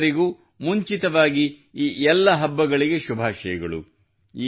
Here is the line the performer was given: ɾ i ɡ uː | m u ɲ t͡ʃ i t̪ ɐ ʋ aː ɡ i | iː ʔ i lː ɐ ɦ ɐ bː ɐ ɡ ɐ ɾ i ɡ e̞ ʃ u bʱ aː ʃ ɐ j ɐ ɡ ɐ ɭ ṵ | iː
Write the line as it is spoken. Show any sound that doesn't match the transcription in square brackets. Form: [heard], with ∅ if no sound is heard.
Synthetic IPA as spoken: ɾ i ɡ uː | m u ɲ t͡ʃ i t̪ ɐ ʋ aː ɡ i | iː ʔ [ɛ] lː ɐ ɦ ɐ bː ɐ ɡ ɐ [ɭ] i ɡ e̞ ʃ u bʱ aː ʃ ɐ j ɐ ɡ ɐ ɭ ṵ | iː